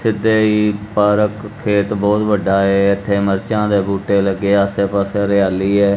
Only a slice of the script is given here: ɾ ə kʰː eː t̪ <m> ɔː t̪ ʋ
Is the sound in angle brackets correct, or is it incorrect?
incorrect